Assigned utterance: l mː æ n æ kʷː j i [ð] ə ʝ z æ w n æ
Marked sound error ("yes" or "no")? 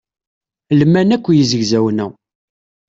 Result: yes